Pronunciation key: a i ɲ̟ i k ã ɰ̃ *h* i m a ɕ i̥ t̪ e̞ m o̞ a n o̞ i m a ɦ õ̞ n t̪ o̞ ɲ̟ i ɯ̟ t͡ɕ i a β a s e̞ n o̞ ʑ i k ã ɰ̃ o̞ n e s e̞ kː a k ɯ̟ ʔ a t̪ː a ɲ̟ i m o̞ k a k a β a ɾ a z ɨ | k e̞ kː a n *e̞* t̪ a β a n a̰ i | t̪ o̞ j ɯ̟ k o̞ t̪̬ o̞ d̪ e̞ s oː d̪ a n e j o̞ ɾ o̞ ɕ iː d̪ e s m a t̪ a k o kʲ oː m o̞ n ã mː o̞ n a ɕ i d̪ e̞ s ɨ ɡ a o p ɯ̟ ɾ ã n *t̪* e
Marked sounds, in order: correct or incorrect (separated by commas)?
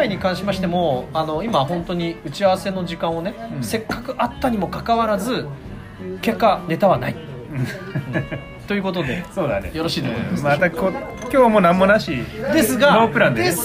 incorrect, correct, incorrect